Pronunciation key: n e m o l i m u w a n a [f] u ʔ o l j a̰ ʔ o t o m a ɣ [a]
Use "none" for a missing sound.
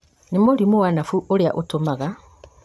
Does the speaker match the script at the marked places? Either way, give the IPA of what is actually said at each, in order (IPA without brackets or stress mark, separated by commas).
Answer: f, a